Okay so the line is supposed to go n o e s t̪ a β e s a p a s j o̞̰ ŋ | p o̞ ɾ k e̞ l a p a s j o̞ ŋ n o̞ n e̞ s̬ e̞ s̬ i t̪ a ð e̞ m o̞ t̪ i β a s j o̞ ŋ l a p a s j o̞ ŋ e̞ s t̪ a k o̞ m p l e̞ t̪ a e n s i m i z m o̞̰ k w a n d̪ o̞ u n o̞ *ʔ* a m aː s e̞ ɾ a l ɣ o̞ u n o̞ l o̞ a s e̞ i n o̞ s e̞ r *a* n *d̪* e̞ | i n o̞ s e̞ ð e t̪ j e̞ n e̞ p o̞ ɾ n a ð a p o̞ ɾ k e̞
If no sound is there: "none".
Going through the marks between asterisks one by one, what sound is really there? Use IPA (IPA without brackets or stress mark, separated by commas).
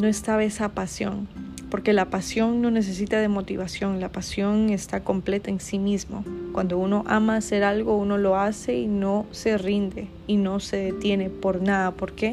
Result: ʔ, i, d̪